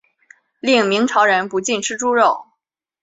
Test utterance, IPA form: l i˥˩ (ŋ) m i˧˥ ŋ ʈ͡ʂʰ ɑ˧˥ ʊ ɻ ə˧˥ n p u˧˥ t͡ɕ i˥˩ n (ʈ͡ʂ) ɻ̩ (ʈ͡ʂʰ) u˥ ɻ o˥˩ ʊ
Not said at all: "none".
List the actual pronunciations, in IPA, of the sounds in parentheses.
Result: ŋ, ʈ͡ʂʰ, ʈ͡ʂ

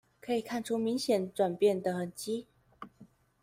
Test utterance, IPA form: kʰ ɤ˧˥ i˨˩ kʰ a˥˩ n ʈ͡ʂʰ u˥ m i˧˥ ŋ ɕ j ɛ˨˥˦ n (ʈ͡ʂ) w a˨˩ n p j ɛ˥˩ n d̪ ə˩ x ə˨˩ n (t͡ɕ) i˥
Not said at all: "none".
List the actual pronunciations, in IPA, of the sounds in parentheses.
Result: ʈ͡ʂ, t͡ɕ

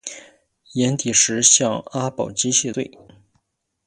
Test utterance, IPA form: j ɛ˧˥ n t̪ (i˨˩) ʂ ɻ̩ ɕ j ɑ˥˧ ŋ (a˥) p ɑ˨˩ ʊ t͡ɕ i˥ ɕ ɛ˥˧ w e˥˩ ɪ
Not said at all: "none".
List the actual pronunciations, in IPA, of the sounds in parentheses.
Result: i˨˩, a˥

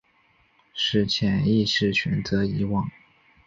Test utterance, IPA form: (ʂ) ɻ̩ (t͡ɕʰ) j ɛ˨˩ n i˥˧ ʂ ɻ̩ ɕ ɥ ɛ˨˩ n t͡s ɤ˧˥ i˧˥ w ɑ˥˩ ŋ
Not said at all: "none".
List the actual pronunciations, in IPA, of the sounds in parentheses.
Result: ʂ, t͡ɕʰ

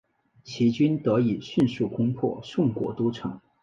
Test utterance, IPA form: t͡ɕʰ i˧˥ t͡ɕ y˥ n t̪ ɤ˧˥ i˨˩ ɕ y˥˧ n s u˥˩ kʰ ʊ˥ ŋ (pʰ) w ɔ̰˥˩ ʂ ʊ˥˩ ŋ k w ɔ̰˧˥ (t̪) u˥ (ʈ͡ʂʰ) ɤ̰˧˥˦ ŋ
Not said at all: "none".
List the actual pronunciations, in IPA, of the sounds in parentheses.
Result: pʰ, t̪, ʈ͡ʂʰ

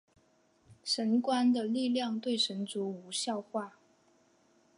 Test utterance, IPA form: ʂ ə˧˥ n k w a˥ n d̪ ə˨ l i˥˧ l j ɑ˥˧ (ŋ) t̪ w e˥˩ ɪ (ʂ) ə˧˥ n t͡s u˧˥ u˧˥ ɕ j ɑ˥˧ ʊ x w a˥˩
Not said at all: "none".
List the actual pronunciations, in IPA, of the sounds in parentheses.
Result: ŋ, ʂ

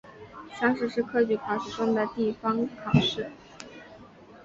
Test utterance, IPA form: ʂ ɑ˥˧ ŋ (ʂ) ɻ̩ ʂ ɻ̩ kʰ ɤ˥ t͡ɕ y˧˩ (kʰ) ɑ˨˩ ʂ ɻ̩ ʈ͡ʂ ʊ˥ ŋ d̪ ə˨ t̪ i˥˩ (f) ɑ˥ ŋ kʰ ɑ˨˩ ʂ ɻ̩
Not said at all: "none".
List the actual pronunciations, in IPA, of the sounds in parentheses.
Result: ʂ, kʰ, f

